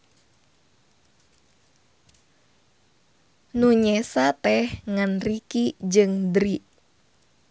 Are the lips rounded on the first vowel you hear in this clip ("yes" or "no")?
yes